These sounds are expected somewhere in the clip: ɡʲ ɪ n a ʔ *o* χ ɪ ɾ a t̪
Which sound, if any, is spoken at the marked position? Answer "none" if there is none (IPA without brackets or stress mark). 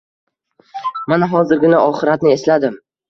ɒ